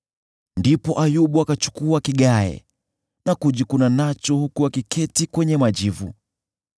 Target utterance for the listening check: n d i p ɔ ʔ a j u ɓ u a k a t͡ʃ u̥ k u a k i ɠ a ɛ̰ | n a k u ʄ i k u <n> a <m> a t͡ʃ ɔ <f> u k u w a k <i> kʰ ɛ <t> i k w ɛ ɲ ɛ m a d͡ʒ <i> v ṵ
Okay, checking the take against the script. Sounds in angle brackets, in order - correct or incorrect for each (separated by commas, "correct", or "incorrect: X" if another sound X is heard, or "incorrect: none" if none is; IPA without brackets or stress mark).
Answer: correct, incorrect: n, incorrect: h, correct, correct, correct